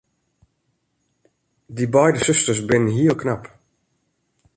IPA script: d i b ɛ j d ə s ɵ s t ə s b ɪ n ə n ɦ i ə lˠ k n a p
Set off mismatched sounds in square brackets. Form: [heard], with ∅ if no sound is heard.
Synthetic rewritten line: d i b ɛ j d ə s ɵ s t ə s b ɪ n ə n ɦ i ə lˠ k n a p